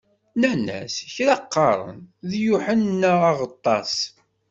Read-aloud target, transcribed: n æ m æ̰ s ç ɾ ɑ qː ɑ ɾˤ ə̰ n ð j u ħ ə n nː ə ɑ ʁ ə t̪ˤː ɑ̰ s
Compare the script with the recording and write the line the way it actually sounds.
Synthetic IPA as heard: n æ n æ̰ s ç ɾ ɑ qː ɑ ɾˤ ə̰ n ð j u ħ ə n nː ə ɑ ʁ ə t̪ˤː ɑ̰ s